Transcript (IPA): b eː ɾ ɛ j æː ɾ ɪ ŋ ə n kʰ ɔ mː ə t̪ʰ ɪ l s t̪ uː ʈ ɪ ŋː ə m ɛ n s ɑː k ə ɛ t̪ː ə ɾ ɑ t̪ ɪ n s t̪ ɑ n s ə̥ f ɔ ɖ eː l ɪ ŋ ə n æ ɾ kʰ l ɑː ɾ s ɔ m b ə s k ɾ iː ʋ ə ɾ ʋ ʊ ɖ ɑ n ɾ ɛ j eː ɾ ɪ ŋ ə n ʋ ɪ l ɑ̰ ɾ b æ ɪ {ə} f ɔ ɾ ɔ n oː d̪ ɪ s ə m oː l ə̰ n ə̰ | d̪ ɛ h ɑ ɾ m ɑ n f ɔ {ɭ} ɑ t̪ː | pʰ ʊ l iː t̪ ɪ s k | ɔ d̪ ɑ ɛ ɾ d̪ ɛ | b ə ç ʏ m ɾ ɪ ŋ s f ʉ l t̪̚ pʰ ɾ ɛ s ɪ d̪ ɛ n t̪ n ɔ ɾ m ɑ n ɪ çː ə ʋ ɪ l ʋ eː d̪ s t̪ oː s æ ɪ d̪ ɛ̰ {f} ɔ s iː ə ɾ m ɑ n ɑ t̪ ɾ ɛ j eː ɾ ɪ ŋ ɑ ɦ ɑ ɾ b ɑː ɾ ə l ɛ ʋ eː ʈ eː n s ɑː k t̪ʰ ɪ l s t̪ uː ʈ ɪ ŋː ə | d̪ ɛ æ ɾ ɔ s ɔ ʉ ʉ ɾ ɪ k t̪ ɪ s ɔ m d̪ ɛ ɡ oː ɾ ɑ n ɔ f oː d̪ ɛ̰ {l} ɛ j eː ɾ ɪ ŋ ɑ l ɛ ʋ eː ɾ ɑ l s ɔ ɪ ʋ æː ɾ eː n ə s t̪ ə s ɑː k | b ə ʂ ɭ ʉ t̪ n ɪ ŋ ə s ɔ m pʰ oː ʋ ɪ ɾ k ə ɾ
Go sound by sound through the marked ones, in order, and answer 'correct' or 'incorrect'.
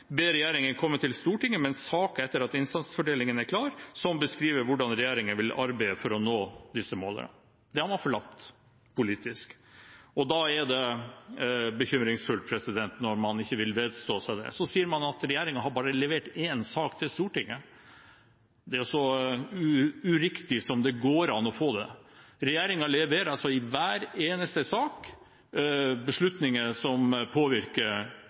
correct, correct, incorrect, incorrect

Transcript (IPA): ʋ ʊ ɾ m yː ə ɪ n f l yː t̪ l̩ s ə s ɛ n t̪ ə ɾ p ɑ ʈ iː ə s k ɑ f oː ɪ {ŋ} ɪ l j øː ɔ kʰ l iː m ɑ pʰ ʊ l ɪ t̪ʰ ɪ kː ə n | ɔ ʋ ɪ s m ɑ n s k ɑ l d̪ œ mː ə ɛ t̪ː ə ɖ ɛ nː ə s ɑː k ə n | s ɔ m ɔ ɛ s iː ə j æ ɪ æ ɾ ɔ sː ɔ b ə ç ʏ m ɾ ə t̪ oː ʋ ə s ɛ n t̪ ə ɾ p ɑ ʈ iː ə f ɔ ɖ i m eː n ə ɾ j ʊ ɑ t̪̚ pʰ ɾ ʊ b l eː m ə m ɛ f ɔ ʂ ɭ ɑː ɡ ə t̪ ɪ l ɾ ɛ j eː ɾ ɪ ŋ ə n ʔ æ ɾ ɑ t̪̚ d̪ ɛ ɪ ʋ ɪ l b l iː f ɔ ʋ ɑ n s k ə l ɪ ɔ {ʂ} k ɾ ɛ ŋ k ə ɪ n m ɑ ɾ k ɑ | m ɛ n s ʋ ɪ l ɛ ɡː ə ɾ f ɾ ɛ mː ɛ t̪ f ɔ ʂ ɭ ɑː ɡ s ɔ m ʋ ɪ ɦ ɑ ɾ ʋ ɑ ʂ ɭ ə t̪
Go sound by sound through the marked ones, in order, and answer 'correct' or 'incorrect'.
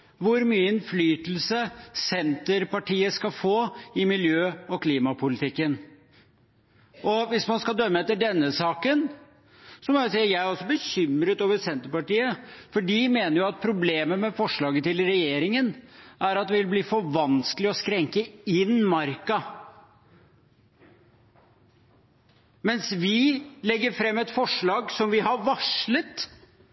incorrect, incorrect

